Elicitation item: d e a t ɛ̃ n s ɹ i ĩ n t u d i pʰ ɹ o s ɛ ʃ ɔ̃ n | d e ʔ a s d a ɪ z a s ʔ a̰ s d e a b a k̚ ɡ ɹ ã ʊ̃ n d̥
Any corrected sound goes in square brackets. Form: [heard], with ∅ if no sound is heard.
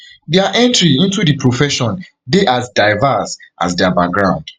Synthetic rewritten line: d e a [ʔ] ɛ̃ n [t] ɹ i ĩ n t u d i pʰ ɹ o [f] ɛ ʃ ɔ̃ n | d e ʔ a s d a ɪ [v] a s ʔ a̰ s d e a b a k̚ ɡ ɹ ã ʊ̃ n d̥